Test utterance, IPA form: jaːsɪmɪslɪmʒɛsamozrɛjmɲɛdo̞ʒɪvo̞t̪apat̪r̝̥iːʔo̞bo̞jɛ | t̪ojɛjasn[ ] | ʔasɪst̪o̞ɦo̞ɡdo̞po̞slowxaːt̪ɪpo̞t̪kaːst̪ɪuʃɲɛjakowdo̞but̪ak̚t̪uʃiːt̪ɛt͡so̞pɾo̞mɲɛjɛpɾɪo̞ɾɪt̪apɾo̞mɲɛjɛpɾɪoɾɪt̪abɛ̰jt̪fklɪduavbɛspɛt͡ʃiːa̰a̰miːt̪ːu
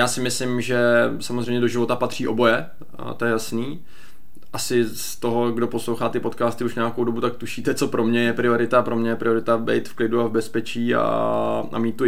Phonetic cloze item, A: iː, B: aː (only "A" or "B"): A